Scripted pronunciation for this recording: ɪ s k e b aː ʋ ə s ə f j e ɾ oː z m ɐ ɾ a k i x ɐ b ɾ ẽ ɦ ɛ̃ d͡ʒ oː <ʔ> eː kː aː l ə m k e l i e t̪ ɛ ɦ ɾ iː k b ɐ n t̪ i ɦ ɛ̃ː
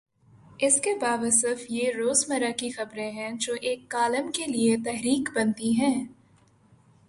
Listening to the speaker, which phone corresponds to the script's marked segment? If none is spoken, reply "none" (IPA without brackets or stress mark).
ʔ